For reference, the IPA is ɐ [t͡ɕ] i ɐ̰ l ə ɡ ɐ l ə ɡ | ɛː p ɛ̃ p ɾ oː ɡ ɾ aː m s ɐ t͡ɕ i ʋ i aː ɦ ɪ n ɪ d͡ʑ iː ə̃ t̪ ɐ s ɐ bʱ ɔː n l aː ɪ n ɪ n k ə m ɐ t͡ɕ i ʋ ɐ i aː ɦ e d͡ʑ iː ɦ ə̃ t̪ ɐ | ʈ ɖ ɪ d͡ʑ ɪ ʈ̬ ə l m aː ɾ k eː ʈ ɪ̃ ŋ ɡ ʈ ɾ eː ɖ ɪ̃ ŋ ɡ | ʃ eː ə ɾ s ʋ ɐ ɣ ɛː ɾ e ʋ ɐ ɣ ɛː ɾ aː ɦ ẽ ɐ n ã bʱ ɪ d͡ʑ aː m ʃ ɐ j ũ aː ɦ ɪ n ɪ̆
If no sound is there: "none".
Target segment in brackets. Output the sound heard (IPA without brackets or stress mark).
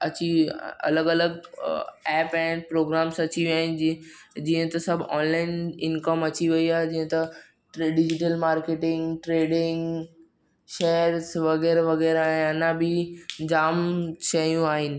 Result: t͡ɕ